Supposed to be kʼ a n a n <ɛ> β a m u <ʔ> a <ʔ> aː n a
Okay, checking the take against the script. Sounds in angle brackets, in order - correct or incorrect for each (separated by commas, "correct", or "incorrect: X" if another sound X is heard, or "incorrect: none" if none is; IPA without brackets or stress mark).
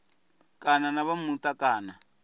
incorrect: a, incorrect: t, incorrect: k